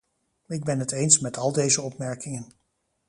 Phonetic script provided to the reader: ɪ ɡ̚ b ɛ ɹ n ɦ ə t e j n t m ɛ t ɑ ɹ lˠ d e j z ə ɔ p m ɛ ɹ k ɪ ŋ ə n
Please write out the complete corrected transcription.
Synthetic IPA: ɪ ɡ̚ b ɛ n ɦ ə t e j n s m ɛ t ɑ lˠ d e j z ə ɔ p m ɛ ɹ k ɪ ŋ ə n